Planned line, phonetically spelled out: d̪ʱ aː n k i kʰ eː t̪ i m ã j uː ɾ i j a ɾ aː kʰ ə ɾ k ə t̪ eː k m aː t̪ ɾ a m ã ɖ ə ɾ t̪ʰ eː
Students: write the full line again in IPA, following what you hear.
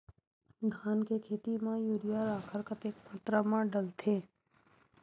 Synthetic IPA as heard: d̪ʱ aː n k e kʰ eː t̪ i m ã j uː ɾ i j a ɾ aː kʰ ə ɾ k ə t̪ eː k m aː t̪ ɾ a m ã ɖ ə l t̪ʰ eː